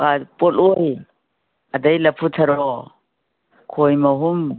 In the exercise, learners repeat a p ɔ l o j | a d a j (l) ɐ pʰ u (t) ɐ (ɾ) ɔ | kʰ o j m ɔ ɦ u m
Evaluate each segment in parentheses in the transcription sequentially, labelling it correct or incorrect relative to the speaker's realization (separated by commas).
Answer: correct, incorrect, correct